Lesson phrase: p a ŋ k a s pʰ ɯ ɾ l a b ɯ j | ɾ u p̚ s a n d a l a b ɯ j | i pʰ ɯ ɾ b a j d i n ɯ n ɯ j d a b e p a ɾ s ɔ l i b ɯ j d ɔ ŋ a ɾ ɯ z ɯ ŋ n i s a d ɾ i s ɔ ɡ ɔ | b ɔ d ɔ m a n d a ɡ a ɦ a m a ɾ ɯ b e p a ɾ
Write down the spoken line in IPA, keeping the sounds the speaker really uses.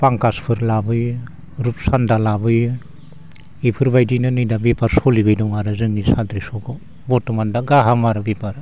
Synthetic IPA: p a ŋ k a s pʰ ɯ ɾ l a b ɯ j | ɾ u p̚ s a n d a l a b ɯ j | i pʰ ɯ ɾ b a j d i n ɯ n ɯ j d a b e p a ɾ s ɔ l i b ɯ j d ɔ ŋ a ɾ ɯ z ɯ ŋ n i s a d ɾ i s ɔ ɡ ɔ | b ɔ t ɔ m a n d a ɡ a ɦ a m a ɾ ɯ b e p a ɾ